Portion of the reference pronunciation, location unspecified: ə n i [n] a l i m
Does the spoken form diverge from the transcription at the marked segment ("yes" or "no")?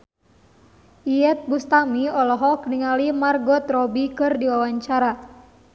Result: yes